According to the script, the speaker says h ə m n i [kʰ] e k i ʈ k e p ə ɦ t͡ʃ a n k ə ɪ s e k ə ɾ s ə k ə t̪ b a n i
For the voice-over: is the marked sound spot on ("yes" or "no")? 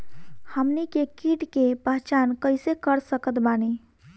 no